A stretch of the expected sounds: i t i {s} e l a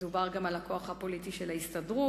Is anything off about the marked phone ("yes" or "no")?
yes